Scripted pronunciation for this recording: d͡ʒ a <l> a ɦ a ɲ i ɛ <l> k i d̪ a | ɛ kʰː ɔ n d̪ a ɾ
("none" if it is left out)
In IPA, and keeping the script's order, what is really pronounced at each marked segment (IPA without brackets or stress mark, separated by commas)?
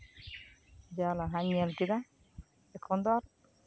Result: l, l